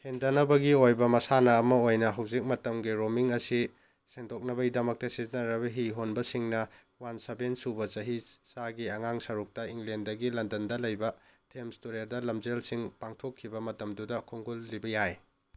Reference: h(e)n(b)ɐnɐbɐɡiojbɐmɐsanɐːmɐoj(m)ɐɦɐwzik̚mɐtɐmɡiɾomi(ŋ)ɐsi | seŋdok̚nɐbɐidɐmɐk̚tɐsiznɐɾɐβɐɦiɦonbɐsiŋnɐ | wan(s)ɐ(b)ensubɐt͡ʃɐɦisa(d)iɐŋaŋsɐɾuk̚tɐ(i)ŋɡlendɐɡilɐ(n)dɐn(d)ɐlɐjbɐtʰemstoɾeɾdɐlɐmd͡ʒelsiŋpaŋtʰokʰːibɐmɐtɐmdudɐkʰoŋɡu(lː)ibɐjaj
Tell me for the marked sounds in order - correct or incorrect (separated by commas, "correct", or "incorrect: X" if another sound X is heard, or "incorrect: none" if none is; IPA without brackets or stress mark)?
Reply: correct, incorrect: d, incorrect: n, correct, correct, correct, incorrect: ɡ, correct, correct, correct, correct